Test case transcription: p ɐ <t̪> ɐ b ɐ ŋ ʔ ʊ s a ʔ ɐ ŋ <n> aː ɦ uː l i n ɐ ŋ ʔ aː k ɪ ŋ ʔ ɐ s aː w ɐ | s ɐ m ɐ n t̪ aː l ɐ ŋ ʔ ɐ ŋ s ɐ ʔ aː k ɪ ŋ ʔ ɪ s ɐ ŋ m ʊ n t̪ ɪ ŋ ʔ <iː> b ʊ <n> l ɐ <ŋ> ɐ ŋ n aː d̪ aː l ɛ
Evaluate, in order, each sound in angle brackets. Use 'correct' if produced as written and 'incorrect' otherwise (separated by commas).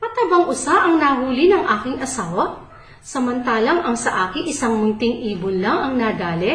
correct, correct, correct, correct, correct